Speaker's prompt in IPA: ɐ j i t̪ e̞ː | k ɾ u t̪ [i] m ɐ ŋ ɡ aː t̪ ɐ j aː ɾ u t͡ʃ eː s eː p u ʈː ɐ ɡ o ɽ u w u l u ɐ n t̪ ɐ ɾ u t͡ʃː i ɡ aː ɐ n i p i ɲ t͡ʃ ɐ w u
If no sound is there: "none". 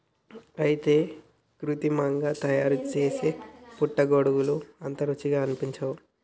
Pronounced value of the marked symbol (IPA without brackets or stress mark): i